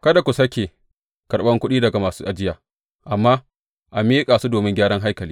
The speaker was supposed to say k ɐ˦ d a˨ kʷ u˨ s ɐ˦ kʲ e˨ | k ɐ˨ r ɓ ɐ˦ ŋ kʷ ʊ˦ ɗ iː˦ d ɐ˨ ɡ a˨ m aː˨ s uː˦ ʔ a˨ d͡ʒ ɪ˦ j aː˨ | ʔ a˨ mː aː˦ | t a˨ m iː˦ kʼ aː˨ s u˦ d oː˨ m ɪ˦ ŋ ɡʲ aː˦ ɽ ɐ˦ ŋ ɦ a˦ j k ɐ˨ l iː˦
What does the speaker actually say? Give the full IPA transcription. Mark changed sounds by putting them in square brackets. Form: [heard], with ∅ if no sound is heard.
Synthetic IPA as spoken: k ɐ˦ d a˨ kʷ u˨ s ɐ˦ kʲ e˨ | k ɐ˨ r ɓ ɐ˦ ŋ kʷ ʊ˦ ɗ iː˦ d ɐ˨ ɡ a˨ m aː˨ s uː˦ ʔ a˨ d͡ʒ ɪ˦ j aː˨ | ʔ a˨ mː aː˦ | [ʔ] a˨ m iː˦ kʼ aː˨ s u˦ d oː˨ m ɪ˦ ŋ ɡʲ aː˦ ɽ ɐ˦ ŋ ɦ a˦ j k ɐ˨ l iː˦